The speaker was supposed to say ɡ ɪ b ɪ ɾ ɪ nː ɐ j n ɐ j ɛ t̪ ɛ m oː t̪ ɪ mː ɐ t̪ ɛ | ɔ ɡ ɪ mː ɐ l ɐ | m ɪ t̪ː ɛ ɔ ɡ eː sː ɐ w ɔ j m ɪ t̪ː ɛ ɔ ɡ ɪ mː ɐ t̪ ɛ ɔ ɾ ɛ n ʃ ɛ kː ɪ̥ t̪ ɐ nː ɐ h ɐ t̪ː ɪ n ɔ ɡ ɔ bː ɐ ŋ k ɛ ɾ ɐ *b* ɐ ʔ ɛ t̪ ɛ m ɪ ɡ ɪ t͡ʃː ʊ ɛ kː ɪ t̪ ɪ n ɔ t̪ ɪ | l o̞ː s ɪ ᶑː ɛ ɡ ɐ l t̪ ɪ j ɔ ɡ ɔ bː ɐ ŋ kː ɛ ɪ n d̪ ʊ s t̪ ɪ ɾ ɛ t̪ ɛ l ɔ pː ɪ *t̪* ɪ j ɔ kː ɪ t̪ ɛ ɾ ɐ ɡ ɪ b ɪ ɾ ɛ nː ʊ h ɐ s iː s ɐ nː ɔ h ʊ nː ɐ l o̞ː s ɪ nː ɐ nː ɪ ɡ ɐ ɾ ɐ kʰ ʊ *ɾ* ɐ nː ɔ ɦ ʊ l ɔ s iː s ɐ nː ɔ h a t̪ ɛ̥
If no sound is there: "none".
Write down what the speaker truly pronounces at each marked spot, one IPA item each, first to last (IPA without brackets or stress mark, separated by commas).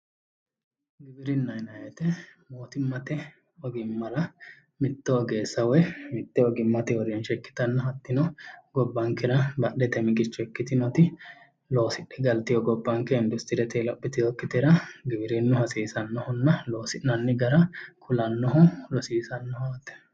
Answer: b, t̪, l